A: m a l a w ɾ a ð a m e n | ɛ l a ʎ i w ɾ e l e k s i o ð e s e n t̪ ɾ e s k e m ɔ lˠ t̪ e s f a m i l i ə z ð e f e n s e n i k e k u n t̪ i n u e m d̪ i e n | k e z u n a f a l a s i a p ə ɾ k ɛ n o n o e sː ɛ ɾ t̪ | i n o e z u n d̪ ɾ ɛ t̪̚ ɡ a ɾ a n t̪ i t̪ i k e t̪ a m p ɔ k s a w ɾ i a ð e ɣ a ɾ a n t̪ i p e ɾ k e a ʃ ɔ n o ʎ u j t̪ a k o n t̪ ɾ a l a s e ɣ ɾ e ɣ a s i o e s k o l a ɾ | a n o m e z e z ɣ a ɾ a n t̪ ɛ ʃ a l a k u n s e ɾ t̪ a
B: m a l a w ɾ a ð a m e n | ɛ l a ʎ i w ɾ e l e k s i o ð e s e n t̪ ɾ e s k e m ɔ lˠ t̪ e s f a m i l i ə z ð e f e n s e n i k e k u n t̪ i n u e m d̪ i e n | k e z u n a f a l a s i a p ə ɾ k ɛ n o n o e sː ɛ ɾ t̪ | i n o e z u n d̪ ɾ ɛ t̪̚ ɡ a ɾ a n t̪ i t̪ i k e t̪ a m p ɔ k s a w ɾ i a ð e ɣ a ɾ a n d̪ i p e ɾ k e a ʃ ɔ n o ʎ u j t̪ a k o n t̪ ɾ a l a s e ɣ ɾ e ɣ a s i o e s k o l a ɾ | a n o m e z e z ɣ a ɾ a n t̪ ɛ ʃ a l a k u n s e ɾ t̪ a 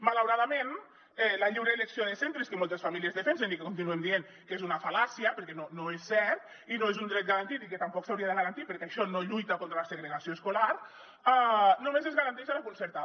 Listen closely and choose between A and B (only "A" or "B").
A